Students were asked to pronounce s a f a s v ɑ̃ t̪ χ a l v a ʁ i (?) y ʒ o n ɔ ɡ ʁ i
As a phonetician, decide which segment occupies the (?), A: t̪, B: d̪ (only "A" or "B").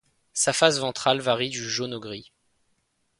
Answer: B